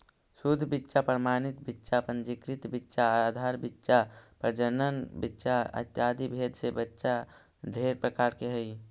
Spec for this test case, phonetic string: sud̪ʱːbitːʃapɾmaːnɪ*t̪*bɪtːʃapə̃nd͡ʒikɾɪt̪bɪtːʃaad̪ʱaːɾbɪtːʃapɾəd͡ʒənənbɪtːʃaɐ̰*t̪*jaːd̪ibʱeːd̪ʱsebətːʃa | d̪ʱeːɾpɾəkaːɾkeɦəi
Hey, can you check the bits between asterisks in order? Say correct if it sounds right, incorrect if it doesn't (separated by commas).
correct, correct